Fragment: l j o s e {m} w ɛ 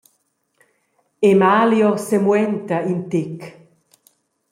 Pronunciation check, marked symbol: correct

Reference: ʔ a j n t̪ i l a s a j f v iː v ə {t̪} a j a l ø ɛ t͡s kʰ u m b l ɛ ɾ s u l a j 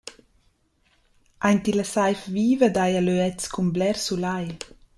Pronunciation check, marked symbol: incorrect: d̪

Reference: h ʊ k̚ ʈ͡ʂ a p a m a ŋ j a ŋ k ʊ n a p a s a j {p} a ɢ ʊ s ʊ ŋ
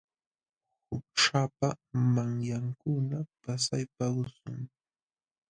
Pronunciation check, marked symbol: correct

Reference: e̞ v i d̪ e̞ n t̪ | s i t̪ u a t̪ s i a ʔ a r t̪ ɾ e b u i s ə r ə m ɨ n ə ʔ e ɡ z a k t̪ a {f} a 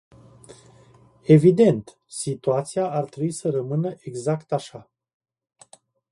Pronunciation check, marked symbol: incorrect: ʃ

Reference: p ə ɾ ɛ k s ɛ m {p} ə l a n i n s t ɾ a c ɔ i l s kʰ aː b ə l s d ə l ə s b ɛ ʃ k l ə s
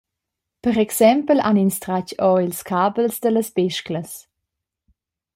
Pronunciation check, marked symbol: correct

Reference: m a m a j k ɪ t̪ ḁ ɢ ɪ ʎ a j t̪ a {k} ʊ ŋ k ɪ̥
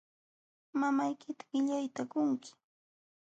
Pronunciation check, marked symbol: correct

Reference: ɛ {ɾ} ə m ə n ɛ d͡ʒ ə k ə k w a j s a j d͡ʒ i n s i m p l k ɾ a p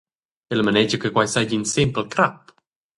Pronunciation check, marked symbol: incorrect: l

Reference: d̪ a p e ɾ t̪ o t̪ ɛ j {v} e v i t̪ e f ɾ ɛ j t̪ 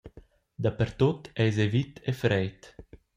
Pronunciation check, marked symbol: incorrect: z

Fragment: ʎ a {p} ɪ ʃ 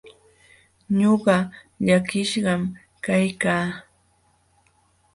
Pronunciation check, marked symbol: incorrect: k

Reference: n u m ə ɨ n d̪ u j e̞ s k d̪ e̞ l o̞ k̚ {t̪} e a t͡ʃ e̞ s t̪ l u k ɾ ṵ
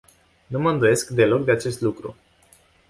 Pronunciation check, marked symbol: incorrect: d̪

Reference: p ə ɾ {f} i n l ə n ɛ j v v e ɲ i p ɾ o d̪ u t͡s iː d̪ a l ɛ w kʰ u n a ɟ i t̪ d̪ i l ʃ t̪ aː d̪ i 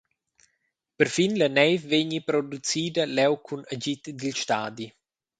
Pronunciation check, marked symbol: correct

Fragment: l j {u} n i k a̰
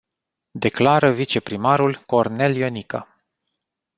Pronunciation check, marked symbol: incorrect: o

